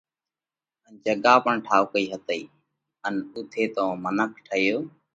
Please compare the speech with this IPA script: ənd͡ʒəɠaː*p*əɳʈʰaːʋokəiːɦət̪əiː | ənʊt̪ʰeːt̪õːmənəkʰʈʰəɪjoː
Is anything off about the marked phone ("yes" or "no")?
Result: no